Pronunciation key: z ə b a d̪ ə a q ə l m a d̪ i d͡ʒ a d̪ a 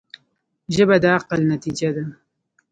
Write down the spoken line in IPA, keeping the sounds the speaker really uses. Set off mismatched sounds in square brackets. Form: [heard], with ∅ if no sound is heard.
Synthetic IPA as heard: [ʒ] ə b a d̪ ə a q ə l [n] a [t̪] i d͡ʒ a d̪ a